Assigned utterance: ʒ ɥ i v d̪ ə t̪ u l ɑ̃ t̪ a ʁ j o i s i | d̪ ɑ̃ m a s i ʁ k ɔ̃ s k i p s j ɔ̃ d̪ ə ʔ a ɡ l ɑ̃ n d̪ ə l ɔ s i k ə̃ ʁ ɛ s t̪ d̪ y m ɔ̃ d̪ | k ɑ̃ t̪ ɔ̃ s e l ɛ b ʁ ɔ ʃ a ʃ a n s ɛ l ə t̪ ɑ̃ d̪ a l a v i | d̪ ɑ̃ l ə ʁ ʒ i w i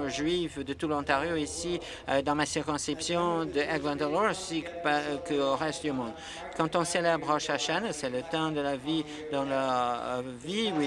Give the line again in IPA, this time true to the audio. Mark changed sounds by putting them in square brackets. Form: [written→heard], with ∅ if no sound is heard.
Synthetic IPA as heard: ʒ ɥ i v d̪ ə t̪ u l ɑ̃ t̪ a ʁ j o i s i | d̪ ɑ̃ m a s i ʁ k ɔ̃ s k i p s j ɔ̃ d̪ ə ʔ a ɡ l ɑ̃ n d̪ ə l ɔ s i k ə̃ ʁ ɛ s t̪ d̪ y m ɔ̃ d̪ | k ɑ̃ t̪ ɔ̃ s e l ɛ b ʁ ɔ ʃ a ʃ a n s ɛ l ə t̪ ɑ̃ d̪ [a→ə] l a v i | d̪ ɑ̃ l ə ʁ [ʒ→v] i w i